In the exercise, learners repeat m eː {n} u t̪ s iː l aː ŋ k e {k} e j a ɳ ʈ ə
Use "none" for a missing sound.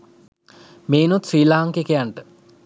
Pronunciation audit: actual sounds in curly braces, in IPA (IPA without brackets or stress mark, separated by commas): n, k